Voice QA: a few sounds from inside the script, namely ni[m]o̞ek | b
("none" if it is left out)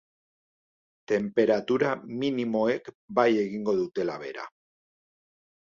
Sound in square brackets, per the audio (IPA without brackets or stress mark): m